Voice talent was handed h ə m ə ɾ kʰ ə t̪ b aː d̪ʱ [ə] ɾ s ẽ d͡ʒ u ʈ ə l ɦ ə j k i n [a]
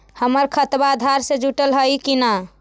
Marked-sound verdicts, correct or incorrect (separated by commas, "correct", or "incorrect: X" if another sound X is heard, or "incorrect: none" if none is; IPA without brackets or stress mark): incorrect: a, correct